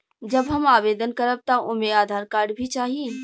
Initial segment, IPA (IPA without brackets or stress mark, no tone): d͡ʒ